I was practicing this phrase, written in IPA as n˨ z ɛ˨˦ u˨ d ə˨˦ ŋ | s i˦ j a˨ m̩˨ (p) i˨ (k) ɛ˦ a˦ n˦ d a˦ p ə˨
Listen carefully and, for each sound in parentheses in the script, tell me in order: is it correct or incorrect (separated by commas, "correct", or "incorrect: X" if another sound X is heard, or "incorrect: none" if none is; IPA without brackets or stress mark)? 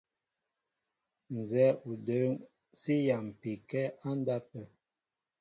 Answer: correct, correct